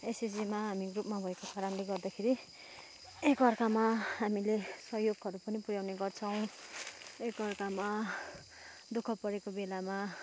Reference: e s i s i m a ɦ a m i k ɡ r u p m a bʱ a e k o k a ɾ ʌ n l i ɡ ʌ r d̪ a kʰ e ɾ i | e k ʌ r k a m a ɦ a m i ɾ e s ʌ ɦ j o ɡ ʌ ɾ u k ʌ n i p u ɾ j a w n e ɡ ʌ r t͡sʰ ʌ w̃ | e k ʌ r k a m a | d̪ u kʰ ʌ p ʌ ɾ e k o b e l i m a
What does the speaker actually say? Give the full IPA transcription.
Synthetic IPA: e s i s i m a ɦ a m i ɡ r u p m a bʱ ʌ e k o k a ɾ ʌ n l e ɡ ʌ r d̪ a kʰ e ɾ i | e k ʌ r k a m a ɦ a m i l e s ʌ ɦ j o ɡ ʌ ɾ u p ʌ n i p u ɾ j a w n e ɡ ʌ r t͡sʰ ʌ w̃ | e k ʌ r k a m a | d̪ u kʰ ʌ p ʌ ɾ e k o b e l a m a

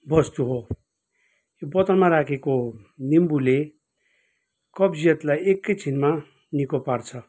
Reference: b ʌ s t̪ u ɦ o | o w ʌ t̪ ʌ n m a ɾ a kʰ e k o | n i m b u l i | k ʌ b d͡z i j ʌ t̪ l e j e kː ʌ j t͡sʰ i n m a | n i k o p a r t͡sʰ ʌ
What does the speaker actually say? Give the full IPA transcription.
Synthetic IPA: b ʌ s t̪ u ɦ o | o b ʌ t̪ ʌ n m a ɾ a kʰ e k o | n i m b u l e | k ʌ b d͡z i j ʌ t̪ l a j e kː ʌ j t͡sʰ i n m a | n i k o p a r t͡sʰ ʌ

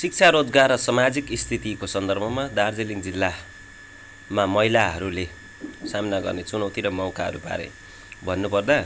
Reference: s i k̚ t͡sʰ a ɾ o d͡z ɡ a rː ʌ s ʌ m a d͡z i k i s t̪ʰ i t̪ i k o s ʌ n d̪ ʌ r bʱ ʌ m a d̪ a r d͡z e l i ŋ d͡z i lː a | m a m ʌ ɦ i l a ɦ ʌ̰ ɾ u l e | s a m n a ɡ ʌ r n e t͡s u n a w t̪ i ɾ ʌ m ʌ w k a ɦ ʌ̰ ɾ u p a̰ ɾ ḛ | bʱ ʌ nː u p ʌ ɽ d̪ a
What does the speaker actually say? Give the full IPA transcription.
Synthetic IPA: s i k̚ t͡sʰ a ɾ o d͡z ɡ a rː ʌ s ʌ m a d͡z i k i s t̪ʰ i t̪ i k o s ʌ n d̪ ʌ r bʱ ʌ m a d̪ a r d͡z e l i ŋ d͡z i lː a | m a m ʌ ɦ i l a ɦ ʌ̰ ɾ u l e | s a m n a ɡ ʌ r n e t͡s u n ʌ w t̪ i ɾ ʌ m ʌ w k a ɦ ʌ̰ ɾ u p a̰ ɾ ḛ | bʱ ʌ nː u p ʌ r d̪ a

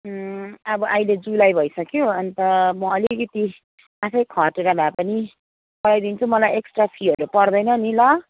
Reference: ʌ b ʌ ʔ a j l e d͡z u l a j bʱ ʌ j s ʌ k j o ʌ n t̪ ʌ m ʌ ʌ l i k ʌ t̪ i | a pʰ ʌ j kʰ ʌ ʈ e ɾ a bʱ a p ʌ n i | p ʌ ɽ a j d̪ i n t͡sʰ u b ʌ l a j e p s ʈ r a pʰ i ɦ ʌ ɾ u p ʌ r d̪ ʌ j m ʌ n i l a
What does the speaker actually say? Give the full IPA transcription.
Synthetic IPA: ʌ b ʌ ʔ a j l e d͡z u l a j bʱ ʌ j s ʌ k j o ʌ n t̪ ʌ m ʌ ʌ l i k ʌ t̪ i | a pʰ ʌ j kʰ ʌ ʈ e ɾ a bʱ a p ʌ n i | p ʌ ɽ a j d̪ i n t͡sʰ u m ʌ l a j e k s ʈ r a pʰ i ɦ ʌ ɾ u p ʌ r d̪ ʌ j n ʌ n i l ʌ

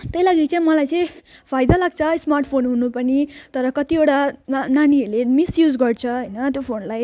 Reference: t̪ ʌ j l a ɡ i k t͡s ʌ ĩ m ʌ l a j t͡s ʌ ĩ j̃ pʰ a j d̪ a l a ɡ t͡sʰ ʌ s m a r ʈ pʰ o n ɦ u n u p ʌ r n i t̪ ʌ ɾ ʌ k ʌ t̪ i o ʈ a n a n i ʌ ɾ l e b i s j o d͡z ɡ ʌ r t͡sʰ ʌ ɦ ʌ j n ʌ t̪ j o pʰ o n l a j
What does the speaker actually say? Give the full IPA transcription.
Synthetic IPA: t̪ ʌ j l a ɡ i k t͡s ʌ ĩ m ʌ l a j t͡s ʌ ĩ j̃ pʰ a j d̪ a l a ɡ t͡sʰ ʌ s m a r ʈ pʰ o n ɦ u n u p ʌ n i t̪ ʌ ɾ ʌ k ʌ t̪ i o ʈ a n a n i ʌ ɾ l e m i s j u d͡z ɡ ʌ r t͡sʰ ʌ ɦ ʌ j n ʌ t̪ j o pʰ o n l a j

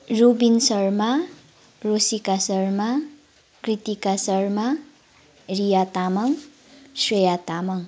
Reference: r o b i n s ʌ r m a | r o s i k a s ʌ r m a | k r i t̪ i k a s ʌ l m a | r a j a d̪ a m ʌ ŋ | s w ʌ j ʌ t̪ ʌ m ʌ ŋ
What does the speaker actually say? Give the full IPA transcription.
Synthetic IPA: r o b i n s ʌ r m a | r o s i k a s ʌ r m a | k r i t̪ i k a s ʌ r m a | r i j a t̪ a m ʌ ŋ | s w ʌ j a t̪ a m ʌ ŋ

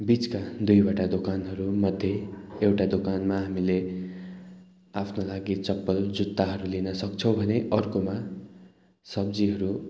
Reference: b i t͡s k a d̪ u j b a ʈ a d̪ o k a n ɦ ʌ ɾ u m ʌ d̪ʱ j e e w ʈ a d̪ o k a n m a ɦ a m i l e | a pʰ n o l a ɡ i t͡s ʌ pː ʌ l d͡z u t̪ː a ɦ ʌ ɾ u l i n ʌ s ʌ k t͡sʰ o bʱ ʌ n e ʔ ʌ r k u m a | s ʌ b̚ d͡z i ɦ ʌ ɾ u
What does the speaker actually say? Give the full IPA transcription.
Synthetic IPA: b i t͡s k a d̪ u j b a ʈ a d̪ o k a n ɦ ʌ ɾ u m ʌ d̪ʱ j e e w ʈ a d̪ o k a n m a ɦ a m i l e | a pʰ n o l a ɡ i t͡s ʌ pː ʌ l d͡z u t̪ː a ɦ ʌ ɾ u l i n ʌ s ʌ k t͡sʰ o bʱ ʌ n e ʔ ʌ r k o m a | s ʌ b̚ d͡z i ɦ ʌ ɾ u

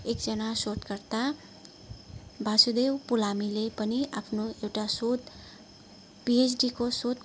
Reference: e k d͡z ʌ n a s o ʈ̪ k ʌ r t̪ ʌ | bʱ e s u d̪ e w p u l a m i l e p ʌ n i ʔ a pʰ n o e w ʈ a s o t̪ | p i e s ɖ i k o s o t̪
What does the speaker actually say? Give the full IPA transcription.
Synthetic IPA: e k d͡z ʌ n a s o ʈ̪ k ʌ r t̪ a | bʱ a s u d̪ e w p u l a m i l e p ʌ n i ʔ a pʰ n o e w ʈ a s o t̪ | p i e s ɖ i k o s o t̪

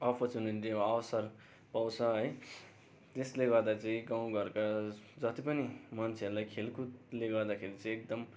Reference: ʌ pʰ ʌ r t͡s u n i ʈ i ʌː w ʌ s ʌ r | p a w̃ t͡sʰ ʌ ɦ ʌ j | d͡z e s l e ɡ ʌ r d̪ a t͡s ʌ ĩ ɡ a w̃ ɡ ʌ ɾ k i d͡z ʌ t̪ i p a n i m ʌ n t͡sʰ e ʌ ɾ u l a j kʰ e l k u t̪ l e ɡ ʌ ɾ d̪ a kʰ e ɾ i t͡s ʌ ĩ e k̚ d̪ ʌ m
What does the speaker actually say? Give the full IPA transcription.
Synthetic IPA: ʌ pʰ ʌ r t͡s u n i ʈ i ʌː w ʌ s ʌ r | p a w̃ t͡sʰ ʌ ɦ ʌ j | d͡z e s l e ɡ ʌ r d̪ a t͡s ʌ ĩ ɡ a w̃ ɡ ʌ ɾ k a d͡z ʌ t̪ i p ʌ n i m ʌ n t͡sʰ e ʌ ɾ u l a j kʰ e l k u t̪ l e ɡ ʌ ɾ d̪ a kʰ e ɾ i t͡s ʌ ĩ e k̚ d̪ ʌ m

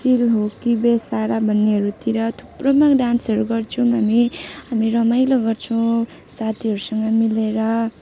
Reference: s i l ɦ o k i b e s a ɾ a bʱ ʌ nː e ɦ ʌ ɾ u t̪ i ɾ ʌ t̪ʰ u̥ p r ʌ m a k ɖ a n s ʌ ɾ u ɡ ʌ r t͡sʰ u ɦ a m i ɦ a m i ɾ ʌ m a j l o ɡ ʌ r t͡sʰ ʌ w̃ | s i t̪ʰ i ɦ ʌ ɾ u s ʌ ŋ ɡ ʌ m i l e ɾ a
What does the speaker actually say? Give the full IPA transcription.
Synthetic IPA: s i l ɦ o k i b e s a ɾ a bʱ ʌ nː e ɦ ʌ ɾ u t̪ i ɾ ʌ t̪ʰ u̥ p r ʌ m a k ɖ a n s ʌ ɾ u ɡ ʌ r t͡sʰ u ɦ a m i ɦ a m i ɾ ʌ m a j l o ɡ ʌ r t͡sʰ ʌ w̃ | s a t̪ʰ i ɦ ʌ ɾ u s ʌ ŋ ɡ ʌ m i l e ɾ ʌ

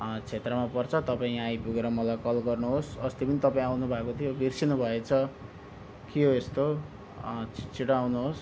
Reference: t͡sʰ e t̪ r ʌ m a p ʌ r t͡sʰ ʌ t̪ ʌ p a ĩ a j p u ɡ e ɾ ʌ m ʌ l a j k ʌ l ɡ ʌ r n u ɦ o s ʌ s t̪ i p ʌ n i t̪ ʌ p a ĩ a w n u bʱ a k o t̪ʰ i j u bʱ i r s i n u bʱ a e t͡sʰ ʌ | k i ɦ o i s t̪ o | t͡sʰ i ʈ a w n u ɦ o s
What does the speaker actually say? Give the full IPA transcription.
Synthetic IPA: t͡sʰ e t̪ r ʌ m a p ʌ r t͡sʰ ʌ t̪ ʌ p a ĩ a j p u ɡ e ɾ ʌ m ʌ l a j k ʌ l ɡ ʌ r n u ɦ o s ʌ s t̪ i p ʌ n i t̪ ʌ p a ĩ a w n u bʱ a k o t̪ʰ i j o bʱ i r s i n u bʱ ʌ e t͡sʰ ʌ | k i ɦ o e s t̪ o | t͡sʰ i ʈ a w n u ɦ o s

